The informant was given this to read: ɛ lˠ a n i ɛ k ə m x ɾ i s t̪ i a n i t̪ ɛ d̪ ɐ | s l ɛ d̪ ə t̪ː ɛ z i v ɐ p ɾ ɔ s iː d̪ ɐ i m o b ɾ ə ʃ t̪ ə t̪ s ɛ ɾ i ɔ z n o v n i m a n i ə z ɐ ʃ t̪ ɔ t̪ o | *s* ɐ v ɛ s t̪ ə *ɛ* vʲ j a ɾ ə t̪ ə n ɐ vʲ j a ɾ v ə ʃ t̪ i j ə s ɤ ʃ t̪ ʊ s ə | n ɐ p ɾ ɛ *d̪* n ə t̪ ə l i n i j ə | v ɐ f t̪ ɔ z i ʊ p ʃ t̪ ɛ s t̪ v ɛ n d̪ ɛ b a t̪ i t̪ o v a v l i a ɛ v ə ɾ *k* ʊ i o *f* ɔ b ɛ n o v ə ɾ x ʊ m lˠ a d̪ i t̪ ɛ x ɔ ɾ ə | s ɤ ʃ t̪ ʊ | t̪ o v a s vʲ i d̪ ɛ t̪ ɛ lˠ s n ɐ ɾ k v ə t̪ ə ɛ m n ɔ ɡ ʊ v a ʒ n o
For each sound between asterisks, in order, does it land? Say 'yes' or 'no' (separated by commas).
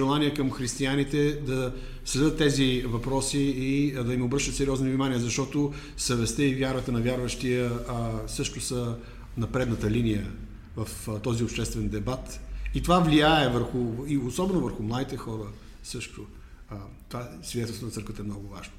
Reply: yes, no, yes, no, no